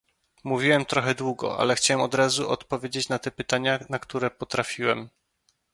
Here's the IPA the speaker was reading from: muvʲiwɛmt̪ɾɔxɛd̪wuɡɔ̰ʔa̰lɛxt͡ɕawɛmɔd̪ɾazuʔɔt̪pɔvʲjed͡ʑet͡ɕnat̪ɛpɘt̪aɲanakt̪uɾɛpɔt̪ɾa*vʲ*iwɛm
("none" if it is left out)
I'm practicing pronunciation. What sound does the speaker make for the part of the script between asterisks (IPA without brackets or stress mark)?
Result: fʲ